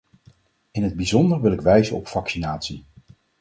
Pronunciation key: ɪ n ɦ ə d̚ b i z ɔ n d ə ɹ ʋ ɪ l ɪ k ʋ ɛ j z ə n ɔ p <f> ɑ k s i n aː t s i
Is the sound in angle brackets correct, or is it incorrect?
correct